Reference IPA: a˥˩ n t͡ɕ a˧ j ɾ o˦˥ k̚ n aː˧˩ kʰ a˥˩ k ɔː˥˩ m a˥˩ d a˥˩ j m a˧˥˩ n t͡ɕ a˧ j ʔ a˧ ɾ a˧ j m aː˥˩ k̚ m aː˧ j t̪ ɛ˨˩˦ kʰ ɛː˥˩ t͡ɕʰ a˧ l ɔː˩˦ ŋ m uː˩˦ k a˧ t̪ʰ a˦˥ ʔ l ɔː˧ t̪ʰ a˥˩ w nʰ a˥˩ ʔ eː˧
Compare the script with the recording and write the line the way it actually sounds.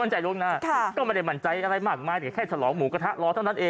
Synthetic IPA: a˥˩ n t͡ɕ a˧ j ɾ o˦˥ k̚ n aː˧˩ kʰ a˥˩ k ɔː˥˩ m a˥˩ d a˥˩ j m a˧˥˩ n t͡ɕ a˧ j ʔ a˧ ɾ a˧ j m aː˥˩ k̚ m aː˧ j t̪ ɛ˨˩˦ kʰ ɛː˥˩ t͡ɕʰ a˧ l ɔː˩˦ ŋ m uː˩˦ k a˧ t̪ʰ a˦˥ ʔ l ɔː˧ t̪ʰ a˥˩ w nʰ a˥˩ ʔ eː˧